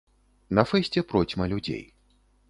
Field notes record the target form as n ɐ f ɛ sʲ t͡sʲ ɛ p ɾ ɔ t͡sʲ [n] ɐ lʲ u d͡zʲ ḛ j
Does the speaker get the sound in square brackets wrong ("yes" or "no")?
yes